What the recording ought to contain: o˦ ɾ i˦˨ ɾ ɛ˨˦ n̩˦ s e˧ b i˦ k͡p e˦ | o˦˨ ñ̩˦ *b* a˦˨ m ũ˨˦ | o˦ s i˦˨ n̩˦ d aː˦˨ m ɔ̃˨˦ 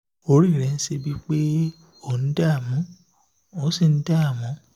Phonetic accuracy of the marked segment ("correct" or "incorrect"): incorrect